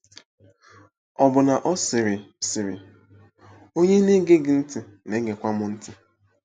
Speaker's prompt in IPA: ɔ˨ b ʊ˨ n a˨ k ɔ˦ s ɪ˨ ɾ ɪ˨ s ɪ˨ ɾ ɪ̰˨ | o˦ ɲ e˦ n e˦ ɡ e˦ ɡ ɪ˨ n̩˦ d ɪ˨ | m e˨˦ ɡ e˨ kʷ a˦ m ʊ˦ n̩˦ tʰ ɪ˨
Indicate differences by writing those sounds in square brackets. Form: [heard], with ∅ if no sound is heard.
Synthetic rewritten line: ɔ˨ b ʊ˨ n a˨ [ʔ] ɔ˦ s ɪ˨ ɾ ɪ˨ s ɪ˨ ɾ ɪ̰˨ | o˦ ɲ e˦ n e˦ ɡ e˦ ɡ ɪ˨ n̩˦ [t] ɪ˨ | [n] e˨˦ ɡ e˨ kʷ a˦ m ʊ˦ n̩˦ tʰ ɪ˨